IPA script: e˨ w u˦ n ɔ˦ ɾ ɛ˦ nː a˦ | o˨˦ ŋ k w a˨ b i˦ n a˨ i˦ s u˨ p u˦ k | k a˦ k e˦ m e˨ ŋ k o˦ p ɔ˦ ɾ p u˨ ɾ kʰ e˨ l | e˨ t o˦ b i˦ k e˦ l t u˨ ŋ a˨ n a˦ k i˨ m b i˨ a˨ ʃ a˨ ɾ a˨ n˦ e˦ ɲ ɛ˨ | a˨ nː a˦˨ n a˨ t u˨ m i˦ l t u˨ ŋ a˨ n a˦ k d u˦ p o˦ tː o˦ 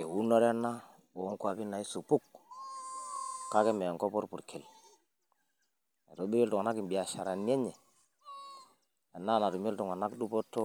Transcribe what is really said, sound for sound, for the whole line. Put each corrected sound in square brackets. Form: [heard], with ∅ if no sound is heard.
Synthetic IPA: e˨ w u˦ n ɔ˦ ɾ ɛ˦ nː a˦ | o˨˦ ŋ k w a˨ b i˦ n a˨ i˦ s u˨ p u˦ k | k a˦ k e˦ m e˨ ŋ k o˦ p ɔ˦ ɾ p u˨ ɾ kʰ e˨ l | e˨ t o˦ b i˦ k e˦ l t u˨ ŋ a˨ n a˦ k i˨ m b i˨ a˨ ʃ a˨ ɾ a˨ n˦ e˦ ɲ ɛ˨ | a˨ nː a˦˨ n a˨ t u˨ m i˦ l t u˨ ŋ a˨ n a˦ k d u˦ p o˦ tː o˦